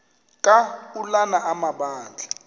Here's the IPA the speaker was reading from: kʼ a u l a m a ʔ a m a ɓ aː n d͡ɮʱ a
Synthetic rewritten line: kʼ a u l a n a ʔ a m a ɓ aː n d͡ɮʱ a

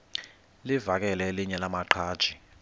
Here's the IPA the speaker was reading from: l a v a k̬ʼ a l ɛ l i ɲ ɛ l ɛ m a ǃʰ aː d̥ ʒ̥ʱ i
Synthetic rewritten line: l i v a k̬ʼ ɛ l ɛ l i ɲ ɛ l a m a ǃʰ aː d̥ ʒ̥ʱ i

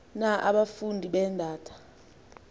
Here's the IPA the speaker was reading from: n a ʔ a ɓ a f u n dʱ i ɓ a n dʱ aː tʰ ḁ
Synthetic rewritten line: n a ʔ a ɓ a f u n dʱ i ɓ ɛ n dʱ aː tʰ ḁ

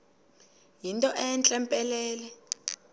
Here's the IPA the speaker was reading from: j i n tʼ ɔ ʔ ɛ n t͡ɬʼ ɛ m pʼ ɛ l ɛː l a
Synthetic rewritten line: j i n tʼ ɔ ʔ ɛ n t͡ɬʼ ɛ m pʼ ɛ l ɛː l ɛ

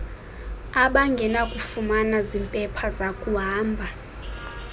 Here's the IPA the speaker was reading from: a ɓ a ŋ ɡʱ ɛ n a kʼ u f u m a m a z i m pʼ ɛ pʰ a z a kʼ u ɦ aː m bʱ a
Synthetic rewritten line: a ɓ a ŋ ɡʱ ɛ n a kʼ u f u m a n a z i m pʼ ɛ pʰ a z a kʼ u ɦ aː m bʱ a

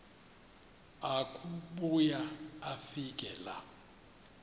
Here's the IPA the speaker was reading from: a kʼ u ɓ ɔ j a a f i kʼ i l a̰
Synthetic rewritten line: a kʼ u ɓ u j a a f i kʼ ɛ l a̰

